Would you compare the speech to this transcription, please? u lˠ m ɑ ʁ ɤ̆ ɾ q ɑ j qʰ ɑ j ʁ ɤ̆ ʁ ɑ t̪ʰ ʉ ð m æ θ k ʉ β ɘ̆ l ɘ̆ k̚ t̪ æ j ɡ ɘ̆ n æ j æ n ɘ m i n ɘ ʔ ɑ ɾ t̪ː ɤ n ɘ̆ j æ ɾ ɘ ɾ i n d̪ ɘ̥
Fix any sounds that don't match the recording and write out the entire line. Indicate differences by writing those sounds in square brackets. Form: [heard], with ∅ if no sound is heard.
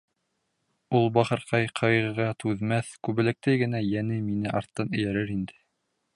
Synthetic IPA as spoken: u lˠ [b] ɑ [χ] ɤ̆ ɾ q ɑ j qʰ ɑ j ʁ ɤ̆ ʁ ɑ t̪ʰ ʉ ð m æ θ k ʉ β ɘ̆ l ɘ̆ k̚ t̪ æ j ɡ ɘ̆ n æ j æ n ɘ m i n ɘ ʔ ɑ ɾ t̪ː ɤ n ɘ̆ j æ ɾ ɘ ɾ i n d̪ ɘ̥